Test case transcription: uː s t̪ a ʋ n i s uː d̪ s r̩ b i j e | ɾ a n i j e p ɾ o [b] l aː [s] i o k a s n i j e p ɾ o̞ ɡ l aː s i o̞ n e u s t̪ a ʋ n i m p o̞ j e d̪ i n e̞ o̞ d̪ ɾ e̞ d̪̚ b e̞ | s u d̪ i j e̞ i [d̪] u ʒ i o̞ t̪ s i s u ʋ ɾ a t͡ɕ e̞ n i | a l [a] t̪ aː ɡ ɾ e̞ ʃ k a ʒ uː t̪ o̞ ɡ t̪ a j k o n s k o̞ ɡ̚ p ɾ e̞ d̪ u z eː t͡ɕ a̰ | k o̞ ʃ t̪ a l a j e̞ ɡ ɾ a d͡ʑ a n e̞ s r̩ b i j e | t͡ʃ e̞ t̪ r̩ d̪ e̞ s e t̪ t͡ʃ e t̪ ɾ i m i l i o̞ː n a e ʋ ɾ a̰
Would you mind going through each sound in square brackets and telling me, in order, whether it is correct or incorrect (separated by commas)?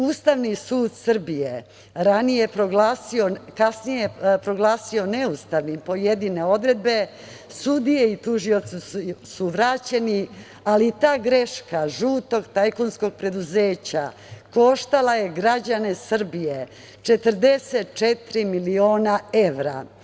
incorrect, correct, incorrect, incorrect